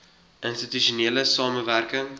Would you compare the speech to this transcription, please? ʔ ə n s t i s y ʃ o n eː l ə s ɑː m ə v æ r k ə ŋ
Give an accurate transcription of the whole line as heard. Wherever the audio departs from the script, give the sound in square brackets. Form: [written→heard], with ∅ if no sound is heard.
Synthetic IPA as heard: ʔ ə n s t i [s→t] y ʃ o n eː l ə s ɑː m ə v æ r k ə ŋ